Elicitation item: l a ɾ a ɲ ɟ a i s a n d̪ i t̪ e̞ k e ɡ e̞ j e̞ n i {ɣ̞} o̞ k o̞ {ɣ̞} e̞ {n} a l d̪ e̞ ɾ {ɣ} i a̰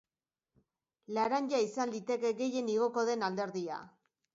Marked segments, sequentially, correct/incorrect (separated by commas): correct, incorrect, correct, incorrect